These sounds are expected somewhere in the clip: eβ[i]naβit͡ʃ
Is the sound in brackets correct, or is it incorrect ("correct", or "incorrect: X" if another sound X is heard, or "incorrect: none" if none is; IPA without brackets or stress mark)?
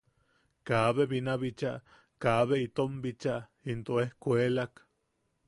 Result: correct